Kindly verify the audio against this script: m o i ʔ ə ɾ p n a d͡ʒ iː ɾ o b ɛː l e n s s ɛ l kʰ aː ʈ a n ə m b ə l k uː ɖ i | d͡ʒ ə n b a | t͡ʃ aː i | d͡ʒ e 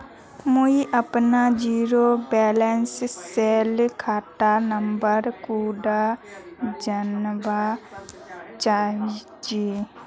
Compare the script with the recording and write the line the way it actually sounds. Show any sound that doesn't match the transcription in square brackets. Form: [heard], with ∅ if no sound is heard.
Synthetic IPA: m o i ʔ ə [∅] p n a d͡ʒ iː ɾ o b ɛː l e n s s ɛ l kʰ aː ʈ a n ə m b ə [ɾ] k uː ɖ [a] | d͡ʒ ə n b a | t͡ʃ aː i | d͡ʒ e